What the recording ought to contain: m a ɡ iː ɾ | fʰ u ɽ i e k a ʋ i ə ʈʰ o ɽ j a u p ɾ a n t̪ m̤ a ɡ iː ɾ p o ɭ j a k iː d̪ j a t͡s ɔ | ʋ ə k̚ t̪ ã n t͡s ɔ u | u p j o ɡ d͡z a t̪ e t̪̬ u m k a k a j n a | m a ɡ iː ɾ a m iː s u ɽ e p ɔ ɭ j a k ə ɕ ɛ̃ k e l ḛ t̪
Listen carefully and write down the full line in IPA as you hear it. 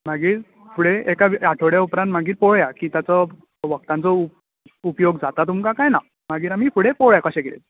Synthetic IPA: m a ɡ iː ɾ | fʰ u ɽ e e k a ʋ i a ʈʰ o ɽ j a u p ɾ a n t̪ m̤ a ɡ iː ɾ p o ɭ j a k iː t̪ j a t͡s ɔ | ʋ ə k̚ t̪ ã n t͡s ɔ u | u p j o ɡ d͡z a t̪ a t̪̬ u m k a k a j n a | m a ɡ iː ɾ a m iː f u ɽ e p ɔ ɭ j a k ə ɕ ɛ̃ k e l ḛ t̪

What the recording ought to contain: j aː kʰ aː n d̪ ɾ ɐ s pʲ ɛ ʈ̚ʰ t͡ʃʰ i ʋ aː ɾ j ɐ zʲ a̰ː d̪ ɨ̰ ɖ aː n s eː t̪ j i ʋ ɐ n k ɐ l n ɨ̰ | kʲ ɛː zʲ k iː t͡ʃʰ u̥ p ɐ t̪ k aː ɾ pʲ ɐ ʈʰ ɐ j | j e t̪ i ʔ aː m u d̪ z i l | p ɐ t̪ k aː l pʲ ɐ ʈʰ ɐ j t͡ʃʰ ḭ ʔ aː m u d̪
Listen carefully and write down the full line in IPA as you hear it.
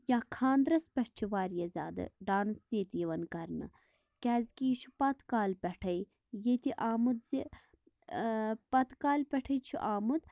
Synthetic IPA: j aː kʰ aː n d̪ ɾ ɐ s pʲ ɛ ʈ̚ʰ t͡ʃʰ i ʋ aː ɾ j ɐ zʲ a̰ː d̪ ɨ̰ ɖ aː n s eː t̪ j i ʋ ɐ n k ɐ ɾ n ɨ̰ | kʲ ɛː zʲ k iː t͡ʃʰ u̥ p ɐ t̪ k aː l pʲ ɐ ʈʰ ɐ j | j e t̪ i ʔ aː m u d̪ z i | p ɐ t̪ k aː l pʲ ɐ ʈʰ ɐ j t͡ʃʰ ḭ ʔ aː m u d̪

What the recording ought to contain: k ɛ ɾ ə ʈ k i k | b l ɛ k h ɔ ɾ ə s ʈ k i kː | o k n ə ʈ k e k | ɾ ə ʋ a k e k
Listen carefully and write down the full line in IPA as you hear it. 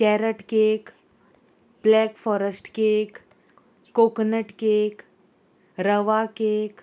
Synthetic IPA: k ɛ ɾ ə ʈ k e k | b l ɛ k f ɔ ɾ ə s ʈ k e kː | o k n ə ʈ k e k | ɾ ə ʋ a k e k

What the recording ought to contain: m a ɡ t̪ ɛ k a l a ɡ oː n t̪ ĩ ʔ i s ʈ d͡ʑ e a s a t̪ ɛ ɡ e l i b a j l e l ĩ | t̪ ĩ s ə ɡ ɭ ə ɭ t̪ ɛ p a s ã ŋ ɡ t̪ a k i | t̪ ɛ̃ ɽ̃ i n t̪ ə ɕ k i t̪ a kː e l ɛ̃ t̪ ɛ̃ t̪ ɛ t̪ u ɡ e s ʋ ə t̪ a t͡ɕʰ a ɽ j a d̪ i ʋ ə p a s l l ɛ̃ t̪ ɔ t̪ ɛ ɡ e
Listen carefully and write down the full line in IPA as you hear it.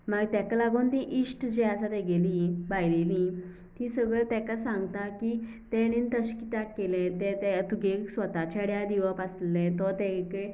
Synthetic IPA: m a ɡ t̪ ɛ k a l a ɡ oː n t̪ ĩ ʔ i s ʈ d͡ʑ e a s a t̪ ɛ ɡ e l i b a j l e l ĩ | t̪ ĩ s ə ɡ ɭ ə ɭ t̪ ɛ k a s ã ŋ ɡ t̪ a k i | t̪ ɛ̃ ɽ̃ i n t̪ ə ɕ k i t̪ a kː e l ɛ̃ t̪ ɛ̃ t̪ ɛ t̪ u ɡ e s ʋ ə t̪ a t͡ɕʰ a ɽ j a d̪ i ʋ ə p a s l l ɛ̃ t̪ ɔ t̪ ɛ k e

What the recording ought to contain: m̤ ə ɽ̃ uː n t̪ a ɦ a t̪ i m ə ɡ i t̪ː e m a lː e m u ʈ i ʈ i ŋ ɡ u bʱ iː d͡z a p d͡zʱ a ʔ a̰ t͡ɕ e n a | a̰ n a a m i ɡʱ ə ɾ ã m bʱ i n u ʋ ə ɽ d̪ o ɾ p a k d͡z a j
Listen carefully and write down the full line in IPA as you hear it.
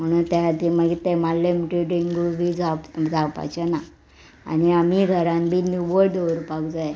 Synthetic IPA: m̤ ə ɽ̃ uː n t̪ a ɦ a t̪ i m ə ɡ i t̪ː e m a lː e m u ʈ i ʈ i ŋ ɡ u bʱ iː d͡z a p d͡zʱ a p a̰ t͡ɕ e n a | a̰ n i a m i ɡʱ ə ɾ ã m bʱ i n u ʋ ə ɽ d̪ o ɾ p a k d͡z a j

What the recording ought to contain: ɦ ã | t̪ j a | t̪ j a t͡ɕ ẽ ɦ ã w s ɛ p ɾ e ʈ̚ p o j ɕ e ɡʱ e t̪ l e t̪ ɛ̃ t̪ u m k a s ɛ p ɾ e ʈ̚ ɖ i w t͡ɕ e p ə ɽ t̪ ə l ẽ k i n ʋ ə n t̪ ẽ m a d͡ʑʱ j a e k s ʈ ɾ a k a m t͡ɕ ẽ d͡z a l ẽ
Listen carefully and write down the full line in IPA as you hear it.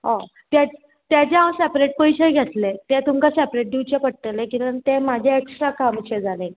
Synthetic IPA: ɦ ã | t̪ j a | t̪ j a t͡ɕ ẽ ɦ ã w s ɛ p ɾ e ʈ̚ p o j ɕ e ɡʱ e t̪ l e t̪ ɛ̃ t̪ u m k a s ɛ p ɾ e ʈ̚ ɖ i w t͡ɕ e p ə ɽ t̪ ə l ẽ k i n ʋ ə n t̪ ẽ m a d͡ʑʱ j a e k s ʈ ɾ a k a m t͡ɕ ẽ d͡z a l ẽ

